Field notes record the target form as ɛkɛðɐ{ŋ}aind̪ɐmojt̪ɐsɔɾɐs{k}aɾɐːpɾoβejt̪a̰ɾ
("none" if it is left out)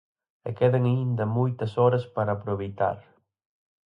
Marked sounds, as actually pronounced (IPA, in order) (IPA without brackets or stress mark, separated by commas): ŋ, p